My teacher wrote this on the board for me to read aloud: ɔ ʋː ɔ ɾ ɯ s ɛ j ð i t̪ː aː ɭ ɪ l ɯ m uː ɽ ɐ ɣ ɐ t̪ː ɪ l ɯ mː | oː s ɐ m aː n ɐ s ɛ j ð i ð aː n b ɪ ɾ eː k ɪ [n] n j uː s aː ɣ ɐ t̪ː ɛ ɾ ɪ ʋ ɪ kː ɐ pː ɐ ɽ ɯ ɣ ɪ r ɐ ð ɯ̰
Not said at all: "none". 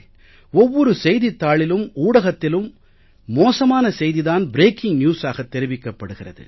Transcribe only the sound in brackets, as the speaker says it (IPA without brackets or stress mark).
ŋ